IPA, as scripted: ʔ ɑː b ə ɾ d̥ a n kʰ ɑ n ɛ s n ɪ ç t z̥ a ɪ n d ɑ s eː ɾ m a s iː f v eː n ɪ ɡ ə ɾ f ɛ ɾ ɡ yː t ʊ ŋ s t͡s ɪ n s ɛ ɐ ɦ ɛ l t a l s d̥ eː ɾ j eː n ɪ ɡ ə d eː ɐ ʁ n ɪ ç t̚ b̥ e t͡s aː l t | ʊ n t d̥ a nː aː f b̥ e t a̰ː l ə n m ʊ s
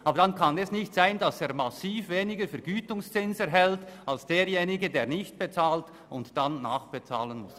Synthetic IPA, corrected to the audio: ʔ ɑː b ə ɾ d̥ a n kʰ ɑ n ɛ s n ɪ ç t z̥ a ɪ n d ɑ s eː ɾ m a s iː f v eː n ɪ ɡ ə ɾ f ɛ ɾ ɡ yː t ʊ ŋ s t͡s ɪ n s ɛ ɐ ɦ ɛ l t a l s d̥ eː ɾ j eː n ɪ ɡ ə d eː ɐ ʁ n ɪ ç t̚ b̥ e t͡s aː l t | ʊ n t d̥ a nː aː χ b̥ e t͡s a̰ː l ə n m ʊ s